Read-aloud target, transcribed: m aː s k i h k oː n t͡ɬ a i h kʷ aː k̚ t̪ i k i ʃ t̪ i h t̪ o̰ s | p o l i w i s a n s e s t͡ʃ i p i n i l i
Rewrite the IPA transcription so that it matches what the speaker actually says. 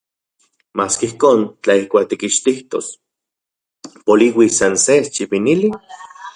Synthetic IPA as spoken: m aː s k i h k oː n t͡ɬ a i h kʷ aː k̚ t̪ i k i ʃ t̪ i h t̪ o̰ s | p o l i w i s a n s e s t͡ʃ i p i n i l i